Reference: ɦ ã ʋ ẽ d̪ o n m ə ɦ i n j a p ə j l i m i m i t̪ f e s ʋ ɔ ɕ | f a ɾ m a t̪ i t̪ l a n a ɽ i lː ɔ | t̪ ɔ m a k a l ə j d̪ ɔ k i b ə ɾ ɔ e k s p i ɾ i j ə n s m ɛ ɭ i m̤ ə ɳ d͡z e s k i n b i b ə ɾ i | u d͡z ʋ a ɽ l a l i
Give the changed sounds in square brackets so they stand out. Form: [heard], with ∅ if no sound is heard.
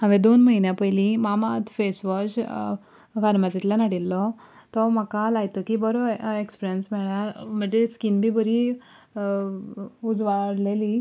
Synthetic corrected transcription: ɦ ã ʋ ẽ d̪ o n m ə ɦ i n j a p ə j l i m [a] m [a] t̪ f e s ʋ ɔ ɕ | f a ɾ m a t̪ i t̪ l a n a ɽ i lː ɔ | t̪ ɔ m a k a l [a] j [t̪] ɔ k i b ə ɾ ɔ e k s p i ɾ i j ə n s m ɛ ɭ [a] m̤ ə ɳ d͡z e s k i n b i b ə ɾ i | u d͡z ʋ a ɽ l [e] l i